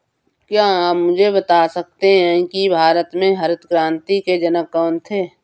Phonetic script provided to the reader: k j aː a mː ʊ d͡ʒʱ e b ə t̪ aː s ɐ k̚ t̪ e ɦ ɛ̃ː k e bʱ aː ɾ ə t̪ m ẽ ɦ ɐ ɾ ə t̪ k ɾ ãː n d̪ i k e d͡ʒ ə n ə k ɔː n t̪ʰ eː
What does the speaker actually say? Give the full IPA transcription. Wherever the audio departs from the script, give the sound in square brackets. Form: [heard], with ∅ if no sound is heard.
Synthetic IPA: k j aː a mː ʊ d͡ʒʱ e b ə t̪ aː s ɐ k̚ t̪ e ɦ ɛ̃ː k [i] bʱ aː ɾ ə t̪ m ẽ ɦ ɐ ɾ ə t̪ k ɾ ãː n [t̪] i k e d͡ʒ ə n ə k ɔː n t̪ʰ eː